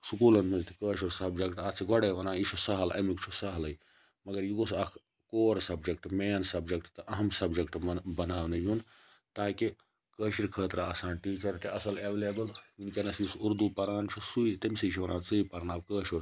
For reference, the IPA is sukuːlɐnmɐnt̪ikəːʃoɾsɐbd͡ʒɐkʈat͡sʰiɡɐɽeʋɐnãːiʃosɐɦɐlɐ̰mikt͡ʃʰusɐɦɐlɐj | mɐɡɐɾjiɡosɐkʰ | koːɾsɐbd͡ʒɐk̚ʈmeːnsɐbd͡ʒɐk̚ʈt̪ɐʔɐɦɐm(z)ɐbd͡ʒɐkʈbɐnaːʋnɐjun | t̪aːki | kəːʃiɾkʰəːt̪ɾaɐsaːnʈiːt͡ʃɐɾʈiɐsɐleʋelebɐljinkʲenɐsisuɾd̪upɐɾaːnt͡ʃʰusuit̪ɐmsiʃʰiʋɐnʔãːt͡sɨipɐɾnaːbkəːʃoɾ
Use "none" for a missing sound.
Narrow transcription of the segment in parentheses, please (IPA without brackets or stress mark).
s